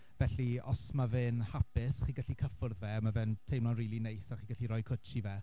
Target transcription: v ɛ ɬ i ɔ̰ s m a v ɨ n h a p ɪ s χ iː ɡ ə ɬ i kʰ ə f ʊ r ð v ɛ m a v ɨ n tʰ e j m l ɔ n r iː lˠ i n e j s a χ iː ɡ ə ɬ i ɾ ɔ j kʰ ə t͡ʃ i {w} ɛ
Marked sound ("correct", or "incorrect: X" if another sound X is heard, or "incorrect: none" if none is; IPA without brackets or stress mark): incorrect: v